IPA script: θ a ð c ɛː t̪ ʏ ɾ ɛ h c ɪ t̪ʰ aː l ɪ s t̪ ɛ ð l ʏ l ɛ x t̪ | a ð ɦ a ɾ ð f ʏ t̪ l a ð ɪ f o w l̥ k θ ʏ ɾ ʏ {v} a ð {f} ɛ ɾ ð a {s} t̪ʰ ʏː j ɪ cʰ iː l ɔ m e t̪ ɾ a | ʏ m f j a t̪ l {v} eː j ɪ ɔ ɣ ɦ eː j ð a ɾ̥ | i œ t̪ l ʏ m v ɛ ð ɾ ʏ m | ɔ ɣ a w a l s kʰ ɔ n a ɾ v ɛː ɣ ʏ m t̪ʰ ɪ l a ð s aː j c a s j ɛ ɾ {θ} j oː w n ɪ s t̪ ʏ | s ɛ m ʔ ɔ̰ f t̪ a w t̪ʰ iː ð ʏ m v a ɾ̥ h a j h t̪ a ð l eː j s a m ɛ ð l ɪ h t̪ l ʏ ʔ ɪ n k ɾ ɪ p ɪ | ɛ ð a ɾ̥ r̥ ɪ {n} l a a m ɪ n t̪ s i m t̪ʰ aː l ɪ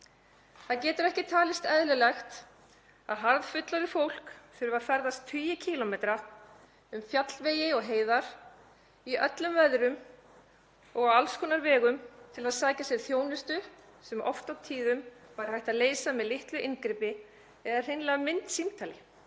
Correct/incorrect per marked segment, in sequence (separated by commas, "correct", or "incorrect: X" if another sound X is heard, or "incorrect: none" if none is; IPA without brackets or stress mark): correct, correct, correct, correct, correct, correct